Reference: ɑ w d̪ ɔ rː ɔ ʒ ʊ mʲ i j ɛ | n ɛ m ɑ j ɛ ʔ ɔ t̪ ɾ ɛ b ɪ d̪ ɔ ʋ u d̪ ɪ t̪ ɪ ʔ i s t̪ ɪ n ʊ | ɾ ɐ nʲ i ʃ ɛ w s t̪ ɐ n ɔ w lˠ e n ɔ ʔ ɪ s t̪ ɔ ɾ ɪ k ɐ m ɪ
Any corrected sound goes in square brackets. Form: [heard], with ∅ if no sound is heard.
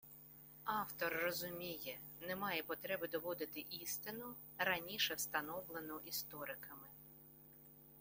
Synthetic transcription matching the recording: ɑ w [t̪] ɔ rː ɔ [z] ʊ mʲ i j ɛ | n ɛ m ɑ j ɛ [p] ɔ t̪ ɾ ɛ b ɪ d̪ ɔ ʋ [ɔ] d̪ ɪ t̪ ɪ ʔ i s t̪ ɪ n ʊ | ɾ ɐ nʲ i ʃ ɛ w s t̪ ɐ n ɔ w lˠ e n ɔ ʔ [i] s t̪ ɔ ɾ ɪ k ɐ m ɪ